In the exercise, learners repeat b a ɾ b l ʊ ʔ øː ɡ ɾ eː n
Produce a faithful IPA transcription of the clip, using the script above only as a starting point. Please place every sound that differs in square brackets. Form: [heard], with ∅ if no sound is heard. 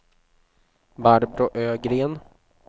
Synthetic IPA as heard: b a ɾ b [ɾ] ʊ ʔ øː ɡ ɾ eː n